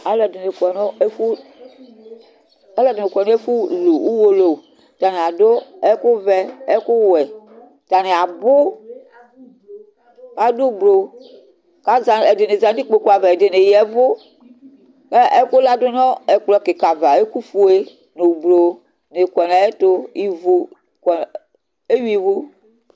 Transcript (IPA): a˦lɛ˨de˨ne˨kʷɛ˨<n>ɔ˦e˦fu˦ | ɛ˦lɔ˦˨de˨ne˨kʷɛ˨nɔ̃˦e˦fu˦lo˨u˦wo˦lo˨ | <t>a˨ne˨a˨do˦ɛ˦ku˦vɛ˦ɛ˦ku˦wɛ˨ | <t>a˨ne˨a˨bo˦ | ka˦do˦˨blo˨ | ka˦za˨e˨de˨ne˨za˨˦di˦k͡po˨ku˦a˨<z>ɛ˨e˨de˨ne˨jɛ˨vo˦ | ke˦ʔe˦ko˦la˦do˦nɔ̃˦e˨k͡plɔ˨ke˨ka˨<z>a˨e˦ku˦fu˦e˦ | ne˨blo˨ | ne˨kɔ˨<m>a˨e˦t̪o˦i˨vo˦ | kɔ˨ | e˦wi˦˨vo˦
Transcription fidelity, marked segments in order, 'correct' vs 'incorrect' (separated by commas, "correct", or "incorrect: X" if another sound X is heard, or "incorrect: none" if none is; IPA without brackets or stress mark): correct, correct, correct, incorrect: v, incorrect: v, incorrect: n